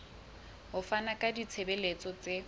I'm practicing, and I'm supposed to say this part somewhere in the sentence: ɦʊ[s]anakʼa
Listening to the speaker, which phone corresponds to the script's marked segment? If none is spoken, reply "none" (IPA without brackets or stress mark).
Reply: f